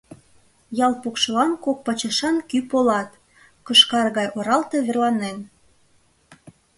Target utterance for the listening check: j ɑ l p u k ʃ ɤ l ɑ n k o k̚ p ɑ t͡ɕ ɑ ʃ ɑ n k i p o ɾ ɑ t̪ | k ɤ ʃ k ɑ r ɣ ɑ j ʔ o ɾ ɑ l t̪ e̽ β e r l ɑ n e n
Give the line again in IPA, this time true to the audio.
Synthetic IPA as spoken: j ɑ l p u k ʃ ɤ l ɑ n k o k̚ p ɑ t͡ɕ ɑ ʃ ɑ n k y p o l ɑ t̪ | k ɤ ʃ k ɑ r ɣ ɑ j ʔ o ɾ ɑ l t̪ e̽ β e r l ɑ n e n